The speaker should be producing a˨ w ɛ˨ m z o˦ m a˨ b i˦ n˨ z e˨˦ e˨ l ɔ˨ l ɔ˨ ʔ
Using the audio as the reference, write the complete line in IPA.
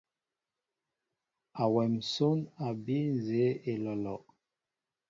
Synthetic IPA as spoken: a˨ w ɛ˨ m s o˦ n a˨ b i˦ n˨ z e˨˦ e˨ l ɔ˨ l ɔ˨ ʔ

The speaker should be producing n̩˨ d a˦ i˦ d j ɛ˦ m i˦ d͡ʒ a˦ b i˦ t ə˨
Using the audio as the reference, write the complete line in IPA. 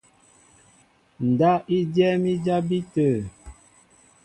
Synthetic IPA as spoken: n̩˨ d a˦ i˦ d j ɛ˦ m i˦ d͡ʒ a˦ b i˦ t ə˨

